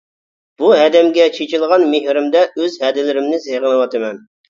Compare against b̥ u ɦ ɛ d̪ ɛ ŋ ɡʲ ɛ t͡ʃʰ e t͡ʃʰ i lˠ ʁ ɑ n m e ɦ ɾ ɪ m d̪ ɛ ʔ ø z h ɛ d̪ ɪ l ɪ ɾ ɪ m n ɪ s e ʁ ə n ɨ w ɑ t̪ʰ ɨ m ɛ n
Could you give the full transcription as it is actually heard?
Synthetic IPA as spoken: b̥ u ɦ ɛ d̪ ɛ m ɡʲ ɛ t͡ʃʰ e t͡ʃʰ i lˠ ʁ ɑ n m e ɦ ɾ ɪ m d̪ ɛ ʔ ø z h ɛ d̪ ɪ l ɪ ɾ ɪ m n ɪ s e ʁ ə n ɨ w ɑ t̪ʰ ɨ m ɛ n